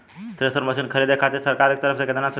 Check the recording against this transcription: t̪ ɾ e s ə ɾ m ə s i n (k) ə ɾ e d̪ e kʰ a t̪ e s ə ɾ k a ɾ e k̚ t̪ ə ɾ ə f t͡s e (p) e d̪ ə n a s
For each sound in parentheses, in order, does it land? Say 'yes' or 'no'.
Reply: no, no

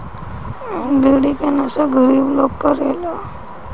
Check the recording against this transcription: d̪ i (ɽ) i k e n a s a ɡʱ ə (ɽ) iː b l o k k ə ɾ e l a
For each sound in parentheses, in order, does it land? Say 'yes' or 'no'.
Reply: yes, no

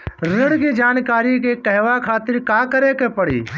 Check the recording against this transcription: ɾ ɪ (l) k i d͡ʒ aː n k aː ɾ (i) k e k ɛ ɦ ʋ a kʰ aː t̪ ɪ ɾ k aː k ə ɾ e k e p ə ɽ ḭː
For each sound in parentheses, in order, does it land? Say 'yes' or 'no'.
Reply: no, yes

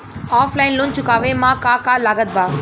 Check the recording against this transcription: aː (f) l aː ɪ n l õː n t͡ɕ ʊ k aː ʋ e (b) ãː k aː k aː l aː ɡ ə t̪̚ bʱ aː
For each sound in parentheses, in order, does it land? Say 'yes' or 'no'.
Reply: yes, no

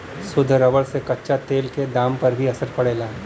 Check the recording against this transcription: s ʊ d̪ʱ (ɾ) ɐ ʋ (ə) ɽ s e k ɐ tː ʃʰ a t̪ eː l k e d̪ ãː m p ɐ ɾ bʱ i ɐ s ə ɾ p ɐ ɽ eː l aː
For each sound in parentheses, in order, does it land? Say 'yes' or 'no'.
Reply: yes, yes

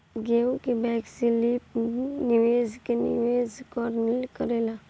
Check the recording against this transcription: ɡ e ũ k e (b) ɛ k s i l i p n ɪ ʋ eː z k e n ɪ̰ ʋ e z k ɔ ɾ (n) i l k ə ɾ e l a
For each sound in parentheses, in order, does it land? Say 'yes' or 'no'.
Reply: yes, yes

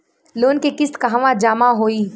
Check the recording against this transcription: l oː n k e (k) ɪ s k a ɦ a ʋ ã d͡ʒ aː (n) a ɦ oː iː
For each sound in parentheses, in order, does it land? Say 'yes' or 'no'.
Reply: yes, no

